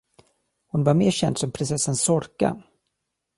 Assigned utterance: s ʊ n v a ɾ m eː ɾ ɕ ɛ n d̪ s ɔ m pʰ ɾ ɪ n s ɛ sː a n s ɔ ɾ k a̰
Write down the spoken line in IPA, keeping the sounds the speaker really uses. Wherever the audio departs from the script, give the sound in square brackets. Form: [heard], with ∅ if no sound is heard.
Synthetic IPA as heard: [h] ʊ n v a ɾ m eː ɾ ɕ ɛ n d̪ s ɔ m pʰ ɾ ɪ n s ɛ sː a n s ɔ ɾ k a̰